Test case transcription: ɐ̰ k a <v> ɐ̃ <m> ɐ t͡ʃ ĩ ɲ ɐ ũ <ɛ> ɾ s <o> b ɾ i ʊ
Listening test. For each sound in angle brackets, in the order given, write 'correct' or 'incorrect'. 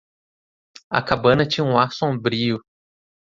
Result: incorrect, incorrect, incorrect, incorrect

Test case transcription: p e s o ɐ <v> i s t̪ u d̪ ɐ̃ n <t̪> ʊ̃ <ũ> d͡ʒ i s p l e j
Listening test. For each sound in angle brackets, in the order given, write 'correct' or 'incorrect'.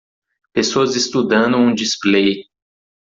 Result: incorrect, incorrect, correct

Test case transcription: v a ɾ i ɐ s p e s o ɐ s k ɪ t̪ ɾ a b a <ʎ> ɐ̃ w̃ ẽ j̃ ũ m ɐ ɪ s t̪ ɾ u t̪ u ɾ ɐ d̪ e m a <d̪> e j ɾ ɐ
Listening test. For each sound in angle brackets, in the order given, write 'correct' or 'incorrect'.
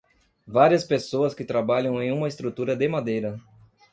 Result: correct, correct

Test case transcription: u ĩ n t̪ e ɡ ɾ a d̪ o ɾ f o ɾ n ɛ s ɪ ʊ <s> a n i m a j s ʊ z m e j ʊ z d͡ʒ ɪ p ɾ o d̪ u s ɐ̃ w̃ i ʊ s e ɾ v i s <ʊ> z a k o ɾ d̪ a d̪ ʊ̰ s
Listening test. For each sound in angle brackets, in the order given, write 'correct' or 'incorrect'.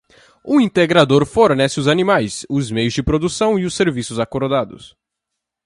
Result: incorrect, correct

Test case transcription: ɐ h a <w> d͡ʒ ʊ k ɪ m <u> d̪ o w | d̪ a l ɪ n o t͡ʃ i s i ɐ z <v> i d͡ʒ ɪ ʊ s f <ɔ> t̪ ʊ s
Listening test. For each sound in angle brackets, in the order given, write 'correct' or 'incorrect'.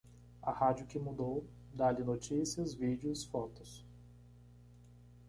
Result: incorrect, correct, correct, correct

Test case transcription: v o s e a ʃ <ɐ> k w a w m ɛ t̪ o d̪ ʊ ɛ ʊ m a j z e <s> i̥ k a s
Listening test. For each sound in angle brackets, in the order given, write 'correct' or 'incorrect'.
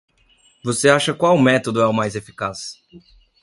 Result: correct, incorrect

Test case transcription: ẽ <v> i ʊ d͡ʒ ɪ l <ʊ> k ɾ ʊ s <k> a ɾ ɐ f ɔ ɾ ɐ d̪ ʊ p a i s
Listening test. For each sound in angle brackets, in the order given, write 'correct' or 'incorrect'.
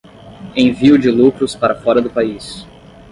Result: correct, incorrect, incorrect

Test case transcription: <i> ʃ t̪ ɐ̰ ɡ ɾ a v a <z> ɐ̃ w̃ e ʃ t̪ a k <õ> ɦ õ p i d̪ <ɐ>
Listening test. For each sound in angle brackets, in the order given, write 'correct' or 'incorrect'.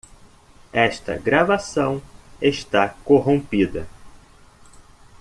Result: incorrect, incorrect, incorrect, correct

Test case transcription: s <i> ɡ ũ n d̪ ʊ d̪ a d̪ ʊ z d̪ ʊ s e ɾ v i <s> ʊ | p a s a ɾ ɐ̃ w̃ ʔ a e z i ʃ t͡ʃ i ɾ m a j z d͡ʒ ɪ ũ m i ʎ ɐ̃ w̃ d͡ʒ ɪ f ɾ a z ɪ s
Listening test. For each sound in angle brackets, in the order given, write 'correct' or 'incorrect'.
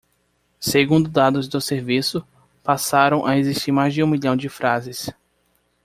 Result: incorrect, correct

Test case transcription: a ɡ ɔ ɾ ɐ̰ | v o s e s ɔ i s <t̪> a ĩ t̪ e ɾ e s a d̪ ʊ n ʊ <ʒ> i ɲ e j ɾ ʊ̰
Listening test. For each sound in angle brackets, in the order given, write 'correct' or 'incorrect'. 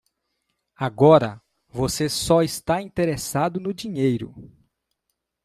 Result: correct, incorrect

